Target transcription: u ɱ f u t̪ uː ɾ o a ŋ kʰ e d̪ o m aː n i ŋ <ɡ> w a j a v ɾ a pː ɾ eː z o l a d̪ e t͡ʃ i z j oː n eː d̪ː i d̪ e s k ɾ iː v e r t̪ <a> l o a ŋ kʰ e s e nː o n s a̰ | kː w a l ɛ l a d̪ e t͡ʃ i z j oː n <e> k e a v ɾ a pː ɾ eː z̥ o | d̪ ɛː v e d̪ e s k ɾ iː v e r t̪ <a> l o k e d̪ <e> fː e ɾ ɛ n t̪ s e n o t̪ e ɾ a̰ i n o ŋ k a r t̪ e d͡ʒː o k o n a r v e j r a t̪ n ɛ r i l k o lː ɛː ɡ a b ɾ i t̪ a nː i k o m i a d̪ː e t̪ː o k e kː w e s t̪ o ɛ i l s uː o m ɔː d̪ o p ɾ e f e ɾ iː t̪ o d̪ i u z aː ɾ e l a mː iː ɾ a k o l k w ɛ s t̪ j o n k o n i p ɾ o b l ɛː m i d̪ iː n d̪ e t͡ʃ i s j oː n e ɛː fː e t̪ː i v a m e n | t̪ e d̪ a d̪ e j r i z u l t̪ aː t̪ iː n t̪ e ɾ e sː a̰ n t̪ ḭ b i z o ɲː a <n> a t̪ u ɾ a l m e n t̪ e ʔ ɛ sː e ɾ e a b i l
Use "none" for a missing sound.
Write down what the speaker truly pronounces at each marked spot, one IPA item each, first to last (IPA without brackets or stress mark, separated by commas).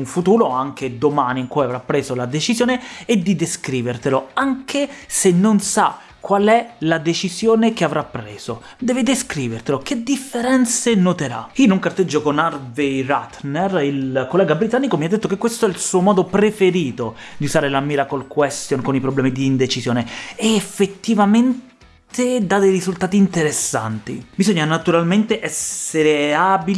k, e, e, e, i, n